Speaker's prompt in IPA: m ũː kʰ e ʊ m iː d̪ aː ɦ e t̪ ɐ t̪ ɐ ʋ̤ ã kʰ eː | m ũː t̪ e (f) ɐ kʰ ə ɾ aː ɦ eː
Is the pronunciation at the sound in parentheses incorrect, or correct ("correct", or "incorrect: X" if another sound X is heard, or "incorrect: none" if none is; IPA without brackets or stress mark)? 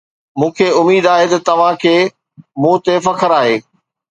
correct